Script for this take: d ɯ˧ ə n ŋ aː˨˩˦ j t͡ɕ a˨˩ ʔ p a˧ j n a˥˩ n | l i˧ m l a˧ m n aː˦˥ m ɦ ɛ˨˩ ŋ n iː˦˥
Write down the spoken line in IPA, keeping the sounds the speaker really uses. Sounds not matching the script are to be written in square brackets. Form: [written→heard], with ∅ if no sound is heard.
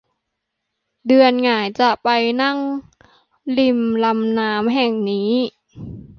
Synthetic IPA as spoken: d ɯ˧ ə n ŋ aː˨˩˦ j t͡ɕ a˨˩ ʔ p a˧ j n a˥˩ [n→ŋ] | l i˧ m l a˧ m n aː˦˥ m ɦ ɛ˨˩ ŋ n iː˦˥